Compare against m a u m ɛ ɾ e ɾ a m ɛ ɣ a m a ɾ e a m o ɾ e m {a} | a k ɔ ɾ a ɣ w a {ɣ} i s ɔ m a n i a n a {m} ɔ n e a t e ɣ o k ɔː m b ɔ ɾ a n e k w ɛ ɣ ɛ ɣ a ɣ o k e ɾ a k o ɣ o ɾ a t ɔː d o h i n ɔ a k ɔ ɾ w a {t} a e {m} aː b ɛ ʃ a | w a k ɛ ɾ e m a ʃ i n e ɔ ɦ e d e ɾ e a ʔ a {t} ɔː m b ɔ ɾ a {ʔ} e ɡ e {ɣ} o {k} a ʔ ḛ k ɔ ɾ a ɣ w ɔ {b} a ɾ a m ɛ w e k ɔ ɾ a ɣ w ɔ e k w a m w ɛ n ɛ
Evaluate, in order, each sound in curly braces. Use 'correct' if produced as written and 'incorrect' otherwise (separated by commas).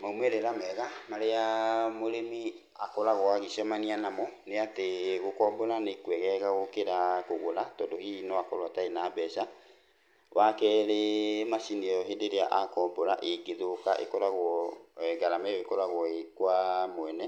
incorrect, correct, correct, correct, incorrect, incorrect, correct, incorrect, correct, incorrect